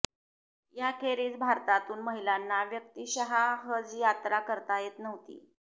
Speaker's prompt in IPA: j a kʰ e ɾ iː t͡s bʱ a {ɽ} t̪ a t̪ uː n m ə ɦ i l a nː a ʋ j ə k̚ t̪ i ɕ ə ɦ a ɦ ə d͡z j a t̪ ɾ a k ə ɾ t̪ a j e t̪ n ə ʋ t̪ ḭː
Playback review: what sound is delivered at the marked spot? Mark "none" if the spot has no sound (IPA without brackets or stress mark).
ɾ